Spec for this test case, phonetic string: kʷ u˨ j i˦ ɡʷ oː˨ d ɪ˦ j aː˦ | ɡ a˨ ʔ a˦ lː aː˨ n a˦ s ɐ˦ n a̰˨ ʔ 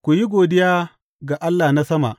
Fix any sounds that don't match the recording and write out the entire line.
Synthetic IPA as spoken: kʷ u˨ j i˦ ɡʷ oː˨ d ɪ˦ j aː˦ | ɡ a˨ ʔ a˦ lː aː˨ n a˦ s ɐ˦ m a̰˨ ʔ